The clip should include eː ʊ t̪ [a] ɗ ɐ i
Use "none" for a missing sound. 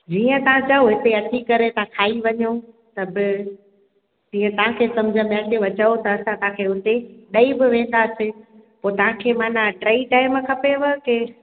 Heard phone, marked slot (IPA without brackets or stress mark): e